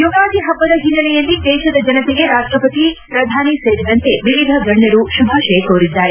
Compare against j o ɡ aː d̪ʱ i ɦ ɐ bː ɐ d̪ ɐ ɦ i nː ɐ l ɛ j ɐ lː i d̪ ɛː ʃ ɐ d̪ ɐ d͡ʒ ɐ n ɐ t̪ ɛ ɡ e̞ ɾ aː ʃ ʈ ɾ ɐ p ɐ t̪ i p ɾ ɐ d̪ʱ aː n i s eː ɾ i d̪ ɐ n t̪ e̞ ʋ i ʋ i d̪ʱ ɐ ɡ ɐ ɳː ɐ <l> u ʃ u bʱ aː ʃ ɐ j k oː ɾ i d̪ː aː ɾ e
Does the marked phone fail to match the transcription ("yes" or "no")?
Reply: yes